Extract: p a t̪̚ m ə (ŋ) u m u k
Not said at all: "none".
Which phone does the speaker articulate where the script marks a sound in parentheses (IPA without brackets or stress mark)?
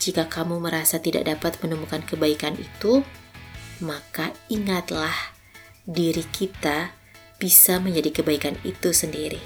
n